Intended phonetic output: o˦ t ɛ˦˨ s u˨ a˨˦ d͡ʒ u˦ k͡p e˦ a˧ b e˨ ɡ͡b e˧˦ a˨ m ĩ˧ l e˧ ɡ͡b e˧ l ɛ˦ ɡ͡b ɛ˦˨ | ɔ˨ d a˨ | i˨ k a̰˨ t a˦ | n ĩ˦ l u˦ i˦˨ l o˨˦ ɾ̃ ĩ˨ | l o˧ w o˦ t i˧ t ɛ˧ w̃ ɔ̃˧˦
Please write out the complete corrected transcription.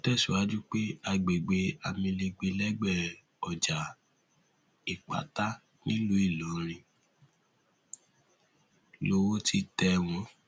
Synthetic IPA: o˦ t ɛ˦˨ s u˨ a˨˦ d͡ʒ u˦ k͡p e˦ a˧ ɡ͡b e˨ ɡ͡b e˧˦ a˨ m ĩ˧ l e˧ ɡ͡b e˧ l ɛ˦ ɡ͡b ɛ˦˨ | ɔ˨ d͡ʒ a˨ | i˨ k͡p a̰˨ t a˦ | n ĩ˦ l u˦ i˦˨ l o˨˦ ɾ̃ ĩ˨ | l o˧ w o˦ t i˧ t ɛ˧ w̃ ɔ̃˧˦